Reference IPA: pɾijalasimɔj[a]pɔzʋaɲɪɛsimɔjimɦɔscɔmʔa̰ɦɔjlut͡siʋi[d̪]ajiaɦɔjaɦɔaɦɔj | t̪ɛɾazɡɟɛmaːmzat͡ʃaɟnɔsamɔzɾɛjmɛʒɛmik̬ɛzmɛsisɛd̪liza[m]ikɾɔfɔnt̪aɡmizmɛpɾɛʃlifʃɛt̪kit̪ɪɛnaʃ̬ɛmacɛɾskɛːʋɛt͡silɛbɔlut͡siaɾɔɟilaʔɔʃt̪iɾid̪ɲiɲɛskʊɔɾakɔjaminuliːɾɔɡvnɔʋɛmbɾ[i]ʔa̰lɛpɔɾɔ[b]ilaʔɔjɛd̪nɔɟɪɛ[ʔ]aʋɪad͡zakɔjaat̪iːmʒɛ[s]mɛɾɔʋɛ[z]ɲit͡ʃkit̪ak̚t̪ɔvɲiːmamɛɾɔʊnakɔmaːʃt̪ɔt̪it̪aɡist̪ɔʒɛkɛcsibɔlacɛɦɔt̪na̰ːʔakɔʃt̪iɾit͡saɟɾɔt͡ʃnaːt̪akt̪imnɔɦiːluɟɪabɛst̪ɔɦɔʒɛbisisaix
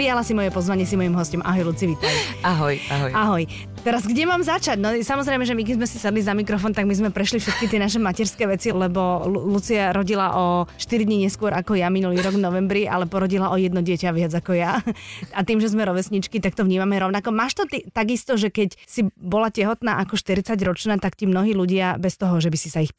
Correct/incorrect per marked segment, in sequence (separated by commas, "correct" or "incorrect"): incorrect, incorrect, correct, correct, incorrect, incorrect, incorrect, incorrect